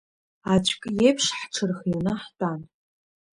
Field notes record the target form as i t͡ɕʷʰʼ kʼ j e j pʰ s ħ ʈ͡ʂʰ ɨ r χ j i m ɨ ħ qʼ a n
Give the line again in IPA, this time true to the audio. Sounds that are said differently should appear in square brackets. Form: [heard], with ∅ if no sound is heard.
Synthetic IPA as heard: [a] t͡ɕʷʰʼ kʼ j e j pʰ [ʂ] ħ ʈ͡ʂʰ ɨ r χ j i [n] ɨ ħ [tʼ] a n